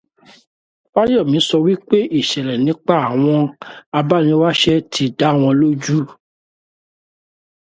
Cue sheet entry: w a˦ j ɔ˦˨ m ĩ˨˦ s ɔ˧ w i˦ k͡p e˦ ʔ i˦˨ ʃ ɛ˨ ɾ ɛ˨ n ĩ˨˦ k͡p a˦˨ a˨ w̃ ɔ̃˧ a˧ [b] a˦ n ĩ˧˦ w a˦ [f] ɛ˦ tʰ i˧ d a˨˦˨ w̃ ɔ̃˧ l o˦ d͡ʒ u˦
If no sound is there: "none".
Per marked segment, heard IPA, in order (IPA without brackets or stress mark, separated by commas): b, ʃ